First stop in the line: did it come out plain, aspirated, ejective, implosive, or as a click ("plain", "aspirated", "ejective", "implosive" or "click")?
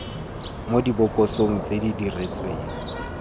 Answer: plain